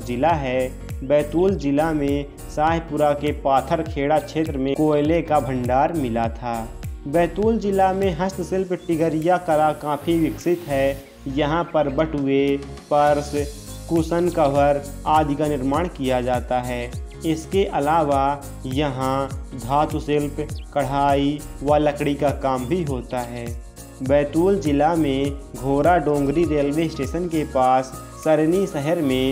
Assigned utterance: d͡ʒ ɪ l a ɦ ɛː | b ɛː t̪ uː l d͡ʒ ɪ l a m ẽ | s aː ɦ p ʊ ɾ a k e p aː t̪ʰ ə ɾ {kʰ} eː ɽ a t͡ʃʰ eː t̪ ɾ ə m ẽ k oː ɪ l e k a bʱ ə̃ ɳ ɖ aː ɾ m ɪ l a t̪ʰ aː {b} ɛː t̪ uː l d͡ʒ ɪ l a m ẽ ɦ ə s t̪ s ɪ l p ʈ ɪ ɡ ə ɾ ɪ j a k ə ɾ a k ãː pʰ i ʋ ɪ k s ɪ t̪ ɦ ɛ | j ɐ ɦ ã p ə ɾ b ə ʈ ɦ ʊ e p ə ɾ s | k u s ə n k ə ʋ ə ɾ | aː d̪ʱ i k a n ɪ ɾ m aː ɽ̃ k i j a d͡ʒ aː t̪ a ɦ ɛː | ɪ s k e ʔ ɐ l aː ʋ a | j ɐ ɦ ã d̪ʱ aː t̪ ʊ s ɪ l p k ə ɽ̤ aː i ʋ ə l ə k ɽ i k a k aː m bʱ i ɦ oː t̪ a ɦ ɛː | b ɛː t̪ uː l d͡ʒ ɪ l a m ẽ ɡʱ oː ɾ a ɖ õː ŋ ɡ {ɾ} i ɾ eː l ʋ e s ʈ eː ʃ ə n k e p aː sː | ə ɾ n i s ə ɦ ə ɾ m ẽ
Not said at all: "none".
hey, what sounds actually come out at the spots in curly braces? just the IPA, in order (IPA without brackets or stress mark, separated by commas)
kʰ, b, ɾ